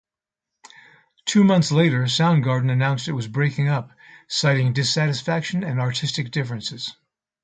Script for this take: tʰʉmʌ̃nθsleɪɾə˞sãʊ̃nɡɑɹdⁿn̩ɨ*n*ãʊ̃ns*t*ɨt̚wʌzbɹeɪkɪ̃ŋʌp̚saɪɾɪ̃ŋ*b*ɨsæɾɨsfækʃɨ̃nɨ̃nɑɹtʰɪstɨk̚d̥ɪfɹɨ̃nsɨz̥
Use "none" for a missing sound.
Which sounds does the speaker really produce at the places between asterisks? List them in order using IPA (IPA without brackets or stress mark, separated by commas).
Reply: n, t, d